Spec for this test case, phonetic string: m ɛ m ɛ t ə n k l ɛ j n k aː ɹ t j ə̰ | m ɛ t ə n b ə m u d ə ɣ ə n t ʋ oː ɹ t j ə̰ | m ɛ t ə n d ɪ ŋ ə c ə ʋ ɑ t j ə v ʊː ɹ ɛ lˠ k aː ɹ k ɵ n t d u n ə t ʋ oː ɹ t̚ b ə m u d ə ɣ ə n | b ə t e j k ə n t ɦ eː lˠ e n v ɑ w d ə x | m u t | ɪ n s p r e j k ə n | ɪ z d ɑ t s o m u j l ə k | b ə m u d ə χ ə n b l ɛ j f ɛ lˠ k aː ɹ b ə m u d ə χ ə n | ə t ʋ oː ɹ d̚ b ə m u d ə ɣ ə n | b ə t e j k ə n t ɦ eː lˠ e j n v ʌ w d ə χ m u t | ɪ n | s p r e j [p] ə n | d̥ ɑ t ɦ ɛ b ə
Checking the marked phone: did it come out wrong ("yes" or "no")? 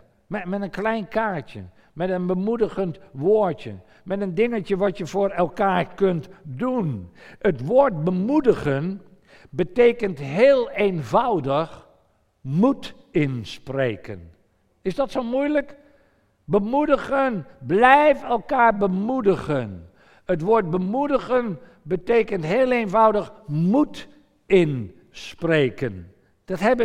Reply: yes